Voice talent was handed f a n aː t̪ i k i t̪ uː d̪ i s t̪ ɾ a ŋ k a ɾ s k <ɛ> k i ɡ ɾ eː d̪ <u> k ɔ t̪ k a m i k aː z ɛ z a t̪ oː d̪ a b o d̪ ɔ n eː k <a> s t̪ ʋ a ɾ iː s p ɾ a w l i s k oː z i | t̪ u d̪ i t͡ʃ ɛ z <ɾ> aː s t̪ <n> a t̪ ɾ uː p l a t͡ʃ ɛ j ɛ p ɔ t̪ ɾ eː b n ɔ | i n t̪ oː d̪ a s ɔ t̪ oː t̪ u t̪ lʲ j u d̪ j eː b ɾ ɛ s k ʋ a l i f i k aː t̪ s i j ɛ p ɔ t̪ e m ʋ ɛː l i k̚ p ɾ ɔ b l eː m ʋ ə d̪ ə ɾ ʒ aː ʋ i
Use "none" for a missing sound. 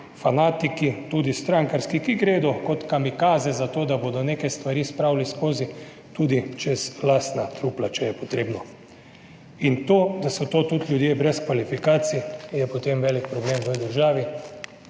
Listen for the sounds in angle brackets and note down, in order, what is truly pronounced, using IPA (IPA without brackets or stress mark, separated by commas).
i, ɔ, ɛ, l, n